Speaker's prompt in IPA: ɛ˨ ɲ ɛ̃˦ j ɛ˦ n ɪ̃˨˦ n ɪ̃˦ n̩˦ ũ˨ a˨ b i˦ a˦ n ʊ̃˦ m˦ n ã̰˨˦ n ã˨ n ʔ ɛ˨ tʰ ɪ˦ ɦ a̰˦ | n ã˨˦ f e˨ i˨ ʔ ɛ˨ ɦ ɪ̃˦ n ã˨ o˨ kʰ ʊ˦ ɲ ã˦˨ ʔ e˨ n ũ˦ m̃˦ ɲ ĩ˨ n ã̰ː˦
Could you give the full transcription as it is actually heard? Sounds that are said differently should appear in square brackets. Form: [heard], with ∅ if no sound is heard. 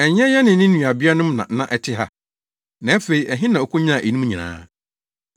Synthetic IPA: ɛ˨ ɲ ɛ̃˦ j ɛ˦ n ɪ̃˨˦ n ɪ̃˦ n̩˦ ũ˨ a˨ b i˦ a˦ n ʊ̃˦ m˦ n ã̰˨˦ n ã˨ [∅] ʔ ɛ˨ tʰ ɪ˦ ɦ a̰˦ | n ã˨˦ f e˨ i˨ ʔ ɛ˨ ɦ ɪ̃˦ n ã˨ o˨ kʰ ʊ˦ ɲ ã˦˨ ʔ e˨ n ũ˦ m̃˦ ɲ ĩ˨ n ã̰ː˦